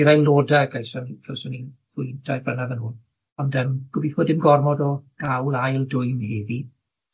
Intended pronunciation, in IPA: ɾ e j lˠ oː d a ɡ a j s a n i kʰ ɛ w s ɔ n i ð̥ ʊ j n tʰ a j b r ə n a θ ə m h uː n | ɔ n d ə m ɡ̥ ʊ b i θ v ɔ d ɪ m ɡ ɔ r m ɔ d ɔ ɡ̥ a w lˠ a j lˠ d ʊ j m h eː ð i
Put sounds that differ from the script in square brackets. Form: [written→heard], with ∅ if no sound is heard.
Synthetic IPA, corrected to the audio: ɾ [e→a] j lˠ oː d a ɡ a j s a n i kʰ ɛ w s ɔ n i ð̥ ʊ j n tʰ a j b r ə n a [θ→ð] ə [m→n] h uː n | ɔ n d ə m ɡ̥ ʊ b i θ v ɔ d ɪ m ɡ ɔ r m ɔ d ɔ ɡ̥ a w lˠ a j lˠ d ʊ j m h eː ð i